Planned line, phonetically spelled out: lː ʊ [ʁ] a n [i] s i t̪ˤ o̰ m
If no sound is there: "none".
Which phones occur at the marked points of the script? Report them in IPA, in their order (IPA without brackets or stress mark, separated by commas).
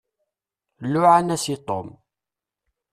ʕ, æ